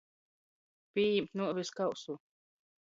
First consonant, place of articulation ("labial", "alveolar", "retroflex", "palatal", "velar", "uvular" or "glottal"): labial